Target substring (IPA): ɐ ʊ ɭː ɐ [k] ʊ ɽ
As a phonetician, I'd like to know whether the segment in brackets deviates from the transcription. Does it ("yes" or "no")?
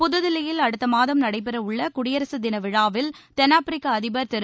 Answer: no